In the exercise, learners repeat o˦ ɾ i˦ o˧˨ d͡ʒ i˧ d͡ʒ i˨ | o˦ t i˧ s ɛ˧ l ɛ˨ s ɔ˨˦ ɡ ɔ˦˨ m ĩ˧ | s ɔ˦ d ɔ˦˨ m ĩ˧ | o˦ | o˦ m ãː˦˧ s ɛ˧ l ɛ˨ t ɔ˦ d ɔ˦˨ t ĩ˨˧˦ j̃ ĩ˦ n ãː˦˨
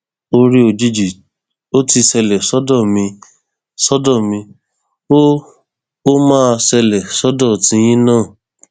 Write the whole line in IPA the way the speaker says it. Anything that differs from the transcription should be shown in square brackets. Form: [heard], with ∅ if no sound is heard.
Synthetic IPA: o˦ ɾ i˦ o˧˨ d͡ʒ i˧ d͡ʒ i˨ | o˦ t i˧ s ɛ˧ l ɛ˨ s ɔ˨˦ [d] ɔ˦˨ m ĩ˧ | s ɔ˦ d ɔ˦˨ m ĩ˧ | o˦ | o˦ m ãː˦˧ s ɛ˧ l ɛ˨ [s] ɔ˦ d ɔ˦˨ t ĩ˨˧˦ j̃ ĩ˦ n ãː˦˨